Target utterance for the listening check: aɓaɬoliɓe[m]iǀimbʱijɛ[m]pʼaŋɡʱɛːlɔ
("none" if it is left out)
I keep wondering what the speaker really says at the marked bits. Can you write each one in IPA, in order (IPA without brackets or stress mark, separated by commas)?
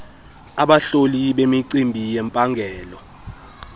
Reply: m, m